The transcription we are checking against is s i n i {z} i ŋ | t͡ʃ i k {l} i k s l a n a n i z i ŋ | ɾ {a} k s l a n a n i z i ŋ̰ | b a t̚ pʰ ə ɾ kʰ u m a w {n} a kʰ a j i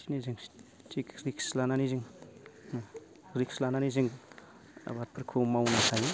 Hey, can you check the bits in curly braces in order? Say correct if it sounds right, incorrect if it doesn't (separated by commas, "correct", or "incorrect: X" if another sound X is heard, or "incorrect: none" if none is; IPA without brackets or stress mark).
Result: correct, incorrect: ɾ, incorrect: i, correct